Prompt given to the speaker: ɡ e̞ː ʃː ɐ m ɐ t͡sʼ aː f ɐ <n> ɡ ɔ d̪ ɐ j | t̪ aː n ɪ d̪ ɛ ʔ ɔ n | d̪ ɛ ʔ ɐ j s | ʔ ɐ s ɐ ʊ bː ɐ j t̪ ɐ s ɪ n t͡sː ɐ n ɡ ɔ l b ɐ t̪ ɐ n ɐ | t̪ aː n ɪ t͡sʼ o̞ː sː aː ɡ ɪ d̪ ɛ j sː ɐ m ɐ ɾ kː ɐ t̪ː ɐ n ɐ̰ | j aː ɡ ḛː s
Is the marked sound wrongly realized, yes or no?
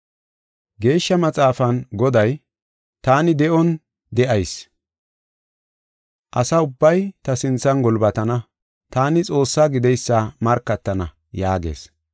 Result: no